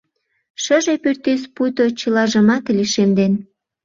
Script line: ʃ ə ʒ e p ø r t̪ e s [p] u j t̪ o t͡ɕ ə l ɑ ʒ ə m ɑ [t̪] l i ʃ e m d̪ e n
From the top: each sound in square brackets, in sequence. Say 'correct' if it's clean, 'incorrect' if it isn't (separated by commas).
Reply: correct, correct